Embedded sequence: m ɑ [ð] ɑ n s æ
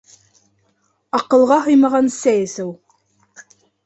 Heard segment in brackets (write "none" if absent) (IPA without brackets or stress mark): ʁ